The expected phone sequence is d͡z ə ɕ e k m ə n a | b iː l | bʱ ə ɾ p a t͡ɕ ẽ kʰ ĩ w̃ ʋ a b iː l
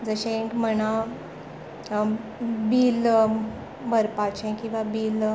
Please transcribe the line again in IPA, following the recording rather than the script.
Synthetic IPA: d͡z ə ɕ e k m ə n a | b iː l | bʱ ə ɾ p a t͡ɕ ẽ k ĩ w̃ ʋ a b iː l